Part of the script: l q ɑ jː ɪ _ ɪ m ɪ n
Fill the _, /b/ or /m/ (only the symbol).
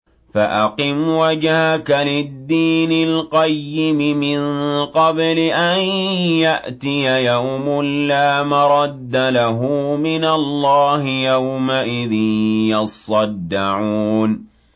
m